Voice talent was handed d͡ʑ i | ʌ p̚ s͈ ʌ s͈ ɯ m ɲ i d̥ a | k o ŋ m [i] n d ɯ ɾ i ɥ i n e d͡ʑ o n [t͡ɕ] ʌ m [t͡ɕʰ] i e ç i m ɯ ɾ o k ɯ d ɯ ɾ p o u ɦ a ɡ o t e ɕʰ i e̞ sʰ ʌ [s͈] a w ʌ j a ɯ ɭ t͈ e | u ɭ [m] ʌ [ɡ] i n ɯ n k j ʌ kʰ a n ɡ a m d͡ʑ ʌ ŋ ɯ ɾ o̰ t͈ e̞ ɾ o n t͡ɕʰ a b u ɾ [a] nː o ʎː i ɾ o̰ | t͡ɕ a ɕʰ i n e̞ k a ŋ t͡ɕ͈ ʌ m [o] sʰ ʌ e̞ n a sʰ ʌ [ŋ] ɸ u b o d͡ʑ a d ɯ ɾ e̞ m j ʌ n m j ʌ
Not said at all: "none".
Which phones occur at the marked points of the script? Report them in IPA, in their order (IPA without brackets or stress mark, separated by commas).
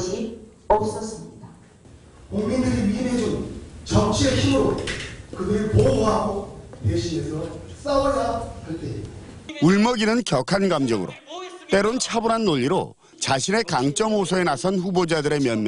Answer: i, t͡ɕ, t͡ɕʰ, s͈, m, ɡ, a, o, n